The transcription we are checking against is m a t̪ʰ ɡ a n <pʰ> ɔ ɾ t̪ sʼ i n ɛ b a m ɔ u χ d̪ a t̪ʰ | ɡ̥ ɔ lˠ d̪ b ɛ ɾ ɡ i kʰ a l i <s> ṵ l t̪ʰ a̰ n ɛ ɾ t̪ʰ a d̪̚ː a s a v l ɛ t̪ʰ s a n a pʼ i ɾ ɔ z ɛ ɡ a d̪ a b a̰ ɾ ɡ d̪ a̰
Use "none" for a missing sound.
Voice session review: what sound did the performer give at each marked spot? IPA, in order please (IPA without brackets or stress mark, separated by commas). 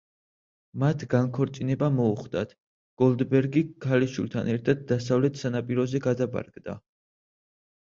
kʰ, ʃ